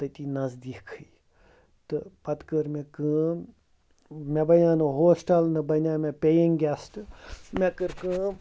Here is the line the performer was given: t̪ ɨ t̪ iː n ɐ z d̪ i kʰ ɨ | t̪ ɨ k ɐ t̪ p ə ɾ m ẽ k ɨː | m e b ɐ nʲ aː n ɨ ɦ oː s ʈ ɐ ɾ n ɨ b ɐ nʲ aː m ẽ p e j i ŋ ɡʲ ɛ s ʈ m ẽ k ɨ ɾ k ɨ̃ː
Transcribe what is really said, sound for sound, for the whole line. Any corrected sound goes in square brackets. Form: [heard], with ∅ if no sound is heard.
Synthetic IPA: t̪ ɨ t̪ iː n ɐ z d̪ i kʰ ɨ | t̪ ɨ [p] ɐ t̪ [k] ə ɾ m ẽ k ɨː | m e b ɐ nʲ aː n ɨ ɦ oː s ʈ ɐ [l] n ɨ b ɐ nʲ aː m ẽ p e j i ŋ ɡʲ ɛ s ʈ m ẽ k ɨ ɾ k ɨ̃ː

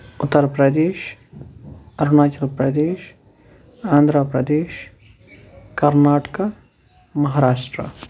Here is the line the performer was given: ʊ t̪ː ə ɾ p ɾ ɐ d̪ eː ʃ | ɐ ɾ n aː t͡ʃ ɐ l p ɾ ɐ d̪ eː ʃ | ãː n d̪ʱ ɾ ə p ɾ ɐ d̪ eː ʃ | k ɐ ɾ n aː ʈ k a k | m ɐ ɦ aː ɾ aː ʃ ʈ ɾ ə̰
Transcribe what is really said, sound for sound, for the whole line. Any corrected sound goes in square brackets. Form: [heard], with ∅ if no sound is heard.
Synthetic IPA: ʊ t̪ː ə ɾ p ɾ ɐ d̪ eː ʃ | ɐ ɾ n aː t͡ʃ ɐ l p ɾ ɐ d̪ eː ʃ | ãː n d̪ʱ ɾ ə p ɾ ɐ d̪ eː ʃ | k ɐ ɾ n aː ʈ k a [∅] | m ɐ ɦ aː ɾ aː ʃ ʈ ɾ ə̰

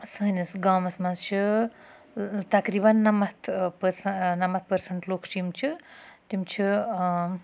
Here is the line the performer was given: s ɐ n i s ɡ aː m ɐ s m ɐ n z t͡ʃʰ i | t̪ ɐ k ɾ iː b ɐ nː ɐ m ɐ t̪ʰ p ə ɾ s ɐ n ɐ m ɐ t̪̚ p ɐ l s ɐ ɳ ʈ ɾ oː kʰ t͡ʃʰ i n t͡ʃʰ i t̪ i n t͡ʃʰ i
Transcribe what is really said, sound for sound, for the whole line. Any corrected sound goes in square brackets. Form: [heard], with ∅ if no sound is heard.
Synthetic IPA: s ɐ n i s ɡ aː m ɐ s m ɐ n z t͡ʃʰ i | t̪ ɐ k ɾ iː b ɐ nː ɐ m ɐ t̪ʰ p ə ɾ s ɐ n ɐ m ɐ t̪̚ p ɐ [ɾ] s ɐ ɳ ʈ [l] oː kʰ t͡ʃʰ i [m] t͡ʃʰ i t̪ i [m] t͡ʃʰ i

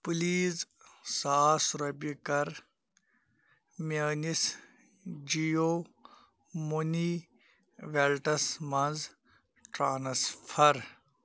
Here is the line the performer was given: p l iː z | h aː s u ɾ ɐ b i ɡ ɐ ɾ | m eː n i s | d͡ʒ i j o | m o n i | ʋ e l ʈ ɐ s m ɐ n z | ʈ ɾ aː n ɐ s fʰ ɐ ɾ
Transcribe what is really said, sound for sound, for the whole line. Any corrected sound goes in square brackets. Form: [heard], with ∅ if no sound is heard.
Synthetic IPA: p l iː z | [s] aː s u ɾ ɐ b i [k] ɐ ɾ | m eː n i s | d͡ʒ i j o | m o n i | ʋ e l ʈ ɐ s m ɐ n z | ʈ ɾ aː n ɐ s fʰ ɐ ɾ

